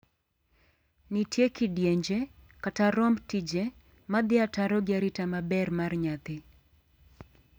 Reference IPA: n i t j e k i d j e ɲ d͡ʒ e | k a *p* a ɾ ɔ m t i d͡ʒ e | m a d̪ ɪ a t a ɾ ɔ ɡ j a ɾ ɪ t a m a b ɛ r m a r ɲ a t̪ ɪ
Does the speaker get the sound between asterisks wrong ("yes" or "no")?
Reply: yes